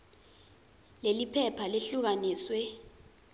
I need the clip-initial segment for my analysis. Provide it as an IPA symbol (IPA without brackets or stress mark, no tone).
l